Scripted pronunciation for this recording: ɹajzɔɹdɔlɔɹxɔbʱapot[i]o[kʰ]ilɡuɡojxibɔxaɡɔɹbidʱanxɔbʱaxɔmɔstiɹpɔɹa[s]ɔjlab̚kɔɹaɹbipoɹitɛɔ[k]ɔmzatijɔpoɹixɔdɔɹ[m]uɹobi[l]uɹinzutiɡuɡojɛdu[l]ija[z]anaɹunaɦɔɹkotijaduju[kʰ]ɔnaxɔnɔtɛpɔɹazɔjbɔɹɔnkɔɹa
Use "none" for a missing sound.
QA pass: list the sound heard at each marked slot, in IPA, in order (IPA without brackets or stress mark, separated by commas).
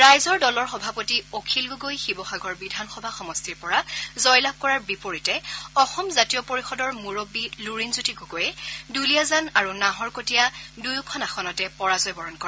i, kʰ, z, x, m, l, l, z, kʰ